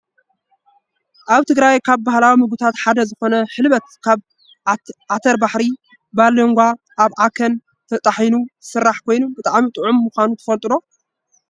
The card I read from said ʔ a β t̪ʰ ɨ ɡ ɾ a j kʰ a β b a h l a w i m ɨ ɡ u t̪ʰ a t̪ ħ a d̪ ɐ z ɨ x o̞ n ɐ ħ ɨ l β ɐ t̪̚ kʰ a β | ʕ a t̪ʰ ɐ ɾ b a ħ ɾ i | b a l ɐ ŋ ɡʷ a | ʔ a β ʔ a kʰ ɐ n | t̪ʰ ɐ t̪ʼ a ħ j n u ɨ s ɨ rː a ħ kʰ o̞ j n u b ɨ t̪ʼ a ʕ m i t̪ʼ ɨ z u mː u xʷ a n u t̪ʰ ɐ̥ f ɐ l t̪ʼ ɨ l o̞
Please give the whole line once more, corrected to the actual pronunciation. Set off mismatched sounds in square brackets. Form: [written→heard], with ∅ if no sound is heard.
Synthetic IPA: ʔ a β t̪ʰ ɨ ɡ ɾ a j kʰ a β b a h l a w i m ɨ ɡ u t̪ʰ a t̪ ħ a d̪ ɐ z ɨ x o̞ n ɐ ħ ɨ l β ɐ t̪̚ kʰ a β | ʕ a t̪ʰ ɐ ɾ b a ħ ɾ i | b a l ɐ ŋ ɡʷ a | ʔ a β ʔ a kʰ ɐ n | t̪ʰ ɐ t̪ʼ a ħ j n u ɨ s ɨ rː a ħ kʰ o̞ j n u b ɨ t̪ʼ a ʕ m i t̪ʼ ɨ [z→ʕ] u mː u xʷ a n u t̪ʰ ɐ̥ f ɐ l t̪ʼ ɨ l o̞

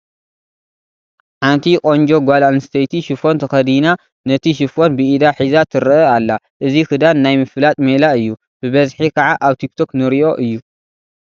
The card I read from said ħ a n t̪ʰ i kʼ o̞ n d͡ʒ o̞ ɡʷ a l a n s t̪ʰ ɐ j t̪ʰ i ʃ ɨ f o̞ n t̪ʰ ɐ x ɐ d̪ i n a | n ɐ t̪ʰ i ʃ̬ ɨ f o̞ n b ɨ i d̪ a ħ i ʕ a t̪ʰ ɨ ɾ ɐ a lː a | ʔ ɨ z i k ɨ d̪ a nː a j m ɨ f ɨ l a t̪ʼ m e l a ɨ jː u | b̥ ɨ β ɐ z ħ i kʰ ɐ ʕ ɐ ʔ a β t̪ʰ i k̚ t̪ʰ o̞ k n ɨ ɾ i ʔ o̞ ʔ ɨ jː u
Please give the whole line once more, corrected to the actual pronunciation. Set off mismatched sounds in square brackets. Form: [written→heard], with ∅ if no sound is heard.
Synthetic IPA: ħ a n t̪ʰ i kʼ o̞ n d͡ʒ o̞ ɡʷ a l a n s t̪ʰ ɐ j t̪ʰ i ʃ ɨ f o̞ n t̪ʰ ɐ x ɐ d̪ i n a | n ɐ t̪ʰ i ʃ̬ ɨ f o̞ n b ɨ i d̪ a ħ i [ʕ→z] a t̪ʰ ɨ ɾ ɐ a lː a | ʔ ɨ z i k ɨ d̪ a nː a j m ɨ f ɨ l a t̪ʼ m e l a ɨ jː u | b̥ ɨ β ɐ z ħ i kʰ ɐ ʕ [ɐ→a] ʔ a β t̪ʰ i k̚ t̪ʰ o̞ k n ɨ ɾ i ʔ o̞ ʔ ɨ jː u

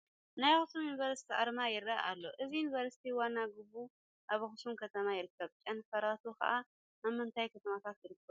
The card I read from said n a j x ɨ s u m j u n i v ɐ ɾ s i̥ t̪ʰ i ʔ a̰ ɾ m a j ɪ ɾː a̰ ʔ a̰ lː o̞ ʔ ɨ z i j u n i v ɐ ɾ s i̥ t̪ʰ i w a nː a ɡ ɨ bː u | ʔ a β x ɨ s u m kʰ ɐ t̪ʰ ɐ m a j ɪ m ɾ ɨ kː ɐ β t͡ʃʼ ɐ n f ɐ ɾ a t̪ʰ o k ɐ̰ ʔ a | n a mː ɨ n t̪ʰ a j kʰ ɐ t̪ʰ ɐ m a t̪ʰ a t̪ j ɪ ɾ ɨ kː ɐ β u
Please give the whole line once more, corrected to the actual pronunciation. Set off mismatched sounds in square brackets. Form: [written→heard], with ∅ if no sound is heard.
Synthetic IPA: n a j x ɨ s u m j u n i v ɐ ɾ s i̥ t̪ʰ i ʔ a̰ ɾ m a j ɪ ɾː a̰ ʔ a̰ lː o̞ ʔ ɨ z i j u n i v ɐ ɾ s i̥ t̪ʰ i w a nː a ɡ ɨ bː u | ʔ a β x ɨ s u m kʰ ɐ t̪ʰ ɐ m a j ɪ [m→∅] ɾ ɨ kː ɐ β t͡ʃʼ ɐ n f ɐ ɾ a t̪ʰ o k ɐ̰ ʔ a | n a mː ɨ n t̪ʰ a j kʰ ɐ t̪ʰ ɐ m a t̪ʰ a t̪ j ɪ ɾ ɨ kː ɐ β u

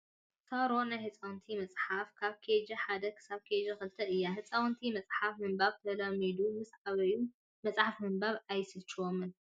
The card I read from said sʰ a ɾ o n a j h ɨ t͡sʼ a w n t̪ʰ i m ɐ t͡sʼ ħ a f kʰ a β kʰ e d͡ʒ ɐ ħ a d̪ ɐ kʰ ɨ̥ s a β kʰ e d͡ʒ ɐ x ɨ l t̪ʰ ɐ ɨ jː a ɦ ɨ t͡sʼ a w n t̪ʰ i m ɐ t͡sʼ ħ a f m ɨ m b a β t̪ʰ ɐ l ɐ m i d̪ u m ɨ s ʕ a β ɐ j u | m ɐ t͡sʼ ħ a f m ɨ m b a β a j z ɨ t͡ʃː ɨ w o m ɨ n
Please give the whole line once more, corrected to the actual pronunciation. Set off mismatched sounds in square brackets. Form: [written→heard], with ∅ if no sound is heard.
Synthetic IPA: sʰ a ɾ o n a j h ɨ t͡sʼ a w n t̪ʰ i m ɐ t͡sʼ ħ a f kʰ a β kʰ e d͡ʒ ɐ ħ a d̪ ɐ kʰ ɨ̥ s a β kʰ e d͡ʒ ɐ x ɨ l t̪ʰ ɐ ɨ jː a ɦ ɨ t͡sʼ a w n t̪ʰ i m ɐ t͡sʼ ħ a f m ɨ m b a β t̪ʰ ɐ l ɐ m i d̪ u m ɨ s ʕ a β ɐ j u | m ɐ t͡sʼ ħ a f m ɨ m b a β a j [z→s] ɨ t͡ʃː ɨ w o m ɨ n

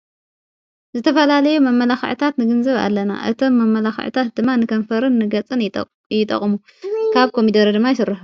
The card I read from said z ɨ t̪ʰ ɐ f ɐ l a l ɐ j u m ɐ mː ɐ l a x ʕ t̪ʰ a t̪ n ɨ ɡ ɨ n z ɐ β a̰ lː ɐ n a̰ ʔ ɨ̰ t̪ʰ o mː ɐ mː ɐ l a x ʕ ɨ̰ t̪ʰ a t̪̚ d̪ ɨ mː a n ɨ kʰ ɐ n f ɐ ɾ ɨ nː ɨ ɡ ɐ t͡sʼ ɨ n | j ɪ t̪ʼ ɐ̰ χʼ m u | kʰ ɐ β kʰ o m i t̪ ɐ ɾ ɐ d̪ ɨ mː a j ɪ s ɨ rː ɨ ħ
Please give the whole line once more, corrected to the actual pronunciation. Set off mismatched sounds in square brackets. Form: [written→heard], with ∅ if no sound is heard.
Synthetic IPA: z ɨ t̪ʰ ɐ f ɐ l a l ɐ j u m ɐ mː ɐ l a x ʕ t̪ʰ a t̪ n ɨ ɡ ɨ n z ɐ β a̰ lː ɐ n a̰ ʔ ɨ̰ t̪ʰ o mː ɐ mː ɐ l a x ʕ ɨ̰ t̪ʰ a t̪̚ d̪ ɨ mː a n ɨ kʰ ɐ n f ɐ ɾ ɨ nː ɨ ɡ ɐ t͡sʼ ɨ n | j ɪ t̪ʼ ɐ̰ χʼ m u | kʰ [ɐ→a] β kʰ o m i [t̪→d̪] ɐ ɾ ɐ d̪ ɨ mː a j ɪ s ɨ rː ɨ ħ

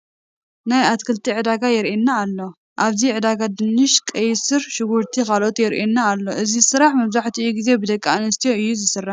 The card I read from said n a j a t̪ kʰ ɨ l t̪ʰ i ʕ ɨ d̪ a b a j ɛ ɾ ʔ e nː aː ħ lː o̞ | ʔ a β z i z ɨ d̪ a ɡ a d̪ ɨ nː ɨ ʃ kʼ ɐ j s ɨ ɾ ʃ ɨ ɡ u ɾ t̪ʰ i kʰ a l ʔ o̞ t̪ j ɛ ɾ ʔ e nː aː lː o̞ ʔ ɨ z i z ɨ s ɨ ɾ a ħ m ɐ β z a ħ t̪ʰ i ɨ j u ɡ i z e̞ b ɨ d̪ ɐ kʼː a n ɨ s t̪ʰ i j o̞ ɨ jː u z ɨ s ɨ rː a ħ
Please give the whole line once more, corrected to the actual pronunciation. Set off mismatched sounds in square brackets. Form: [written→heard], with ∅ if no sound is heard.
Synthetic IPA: n a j a t̪ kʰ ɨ l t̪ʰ i ʕ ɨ d̪ a [b→ɡ] a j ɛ ɾ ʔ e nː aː [ħ→∅] lː o̞ | ʔ a β z i [z→ʕ] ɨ d̪ a ɡ a d̪ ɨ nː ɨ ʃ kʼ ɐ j s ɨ ɾ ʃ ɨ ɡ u ɾ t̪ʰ i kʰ a l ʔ o̞ t̪ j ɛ ɾ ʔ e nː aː lː o̞ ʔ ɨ z i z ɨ s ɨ ɾ a ħ m ɐ β z a ħ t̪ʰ i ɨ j u ɡ i z e̞ b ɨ d̪ ɐ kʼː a n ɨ s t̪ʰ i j o̞ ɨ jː u z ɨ s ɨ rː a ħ

